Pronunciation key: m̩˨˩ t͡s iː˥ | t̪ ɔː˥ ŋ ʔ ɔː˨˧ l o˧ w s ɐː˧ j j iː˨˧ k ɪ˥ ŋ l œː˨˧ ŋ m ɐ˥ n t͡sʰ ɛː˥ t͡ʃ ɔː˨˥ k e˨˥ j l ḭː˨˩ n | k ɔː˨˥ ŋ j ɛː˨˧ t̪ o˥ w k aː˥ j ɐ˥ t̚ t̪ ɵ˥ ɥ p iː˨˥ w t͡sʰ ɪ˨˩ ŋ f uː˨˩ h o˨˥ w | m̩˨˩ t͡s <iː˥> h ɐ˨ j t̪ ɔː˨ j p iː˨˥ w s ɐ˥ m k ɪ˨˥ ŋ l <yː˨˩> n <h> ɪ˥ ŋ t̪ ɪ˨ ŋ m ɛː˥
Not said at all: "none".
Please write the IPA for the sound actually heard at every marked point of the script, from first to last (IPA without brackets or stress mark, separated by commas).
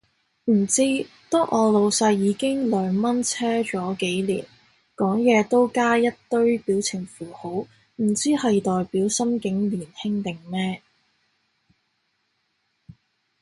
iː˥, iː˨˩, h